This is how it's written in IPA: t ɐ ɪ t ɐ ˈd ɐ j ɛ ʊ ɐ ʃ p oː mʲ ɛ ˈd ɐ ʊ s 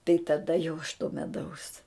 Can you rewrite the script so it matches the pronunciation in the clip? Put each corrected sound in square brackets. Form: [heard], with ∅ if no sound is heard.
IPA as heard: t ɐ ɪ t ɐ ˈd ɐ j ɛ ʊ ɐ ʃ [t] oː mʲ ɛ ˈd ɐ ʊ s